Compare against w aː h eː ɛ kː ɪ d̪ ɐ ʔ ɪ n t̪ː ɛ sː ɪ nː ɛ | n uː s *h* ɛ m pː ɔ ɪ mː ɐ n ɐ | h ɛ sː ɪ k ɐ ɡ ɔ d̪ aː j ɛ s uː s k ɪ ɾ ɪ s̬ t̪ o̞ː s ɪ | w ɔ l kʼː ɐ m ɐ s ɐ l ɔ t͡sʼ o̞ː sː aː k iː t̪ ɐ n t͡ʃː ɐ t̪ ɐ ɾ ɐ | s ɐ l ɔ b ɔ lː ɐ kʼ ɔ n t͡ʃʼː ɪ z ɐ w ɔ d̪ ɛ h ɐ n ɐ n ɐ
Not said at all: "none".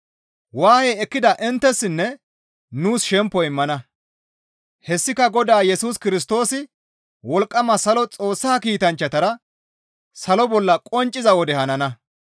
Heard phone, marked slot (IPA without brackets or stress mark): ʃ